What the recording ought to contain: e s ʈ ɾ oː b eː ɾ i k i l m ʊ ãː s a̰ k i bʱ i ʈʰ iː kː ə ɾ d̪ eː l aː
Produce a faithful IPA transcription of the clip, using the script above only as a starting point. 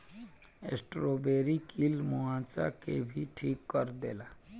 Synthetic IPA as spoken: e s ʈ ɾ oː b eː ɾ i k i l m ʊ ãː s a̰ k e bʱ i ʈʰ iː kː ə ɾ d̪ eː l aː